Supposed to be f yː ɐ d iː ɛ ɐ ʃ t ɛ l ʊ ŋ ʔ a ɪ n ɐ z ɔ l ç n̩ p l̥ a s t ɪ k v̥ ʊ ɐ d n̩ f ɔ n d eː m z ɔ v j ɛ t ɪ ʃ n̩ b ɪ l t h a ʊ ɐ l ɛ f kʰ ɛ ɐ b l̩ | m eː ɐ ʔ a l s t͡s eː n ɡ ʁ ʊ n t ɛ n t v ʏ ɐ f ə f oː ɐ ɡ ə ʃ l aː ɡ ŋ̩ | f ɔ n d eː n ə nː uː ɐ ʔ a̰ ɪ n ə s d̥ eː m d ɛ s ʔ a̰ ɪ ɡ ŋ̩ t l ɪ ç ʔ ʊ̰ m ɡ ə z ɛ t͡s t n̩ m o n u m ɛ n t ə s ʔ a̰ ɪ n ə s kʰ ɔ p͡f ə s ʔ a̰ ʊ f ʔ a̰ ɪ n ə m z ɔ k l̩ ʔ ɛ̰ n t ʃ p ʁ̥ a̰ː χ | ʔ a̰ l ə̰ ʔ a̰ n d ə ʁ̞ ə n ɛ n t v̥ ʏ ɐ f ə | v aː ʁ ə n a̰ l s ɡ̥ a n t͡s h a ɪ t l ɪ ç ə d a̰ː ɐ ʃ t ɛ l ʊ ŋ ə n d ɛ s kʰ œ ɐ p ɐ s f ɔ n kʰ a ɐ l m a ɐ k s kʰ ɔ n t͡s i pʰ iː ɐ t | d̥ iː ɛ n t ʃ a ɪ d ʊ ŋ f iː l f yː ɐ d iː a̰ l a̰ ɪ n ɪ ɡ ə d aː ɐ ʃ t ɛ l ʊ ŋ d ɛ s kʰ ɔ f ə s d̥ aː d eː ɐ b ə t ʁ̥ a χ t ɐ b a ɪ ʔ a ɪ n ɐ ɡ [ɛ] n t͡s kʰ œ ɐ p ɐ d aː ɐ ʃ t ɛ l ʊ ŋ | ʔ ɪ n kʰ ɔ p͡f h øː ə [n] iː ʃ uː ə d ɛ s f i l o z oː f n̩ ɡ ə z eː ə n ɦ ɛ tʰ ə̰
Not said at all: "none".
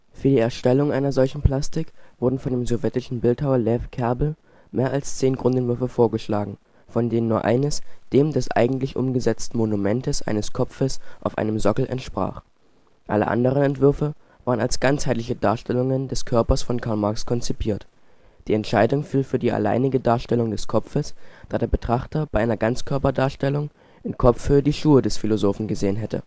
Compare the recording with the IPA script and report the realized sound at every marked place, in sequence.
a, d

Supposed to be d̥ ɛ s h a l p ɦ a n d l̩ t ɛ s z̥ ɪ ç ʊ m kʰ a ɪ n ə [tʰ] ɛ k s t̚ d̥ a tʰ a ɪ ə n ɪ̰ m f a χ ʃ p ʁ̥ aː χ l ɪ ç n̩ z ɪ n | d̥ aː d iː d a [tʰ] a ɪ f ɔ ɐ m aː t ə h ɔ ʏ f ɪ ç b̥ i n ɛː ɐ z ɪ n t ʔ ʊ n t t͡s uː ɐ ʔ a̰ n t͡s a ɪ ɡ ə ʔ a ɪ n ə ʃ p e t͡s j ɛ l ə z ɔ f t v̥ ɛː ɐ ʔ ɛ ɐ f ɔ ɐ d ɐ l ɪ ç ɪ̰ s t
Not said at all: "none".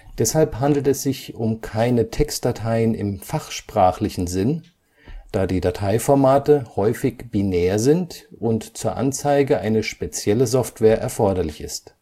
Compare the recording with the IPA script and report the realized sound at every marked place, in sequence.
tʰ, tʰ

